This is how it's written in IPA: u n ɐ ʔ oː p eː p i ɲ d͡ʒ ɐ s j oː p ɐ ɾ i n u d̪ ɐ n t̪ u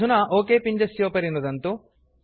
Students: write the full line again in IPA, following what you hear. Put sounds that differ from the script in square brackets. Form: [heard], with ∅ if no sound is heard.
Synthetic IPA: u n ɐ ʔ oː [k] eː p i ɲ d͡ʒ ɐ s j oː p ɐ ɾ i n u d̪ ɐ n t̪ u